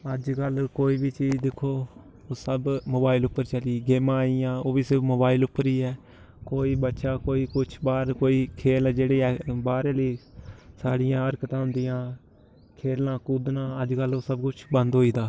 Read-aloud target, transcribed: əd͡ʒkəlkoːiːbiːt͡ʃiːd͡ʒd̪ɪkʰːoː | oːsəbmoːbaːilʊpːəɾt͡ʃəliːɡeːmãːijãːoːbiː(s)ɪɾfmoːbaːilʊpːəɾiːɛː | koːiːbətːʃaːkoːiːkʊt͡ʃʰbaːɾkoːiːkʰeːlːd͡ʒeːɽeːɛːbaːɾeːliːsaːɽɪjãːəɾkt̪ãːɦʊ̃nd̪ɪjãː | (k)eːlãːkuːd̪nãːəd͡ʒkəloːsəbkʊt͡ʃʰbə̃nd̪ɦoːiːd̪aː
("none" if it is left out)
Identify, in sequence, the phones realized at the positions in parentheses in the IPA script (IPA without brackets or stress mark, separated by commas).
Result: s, kʰ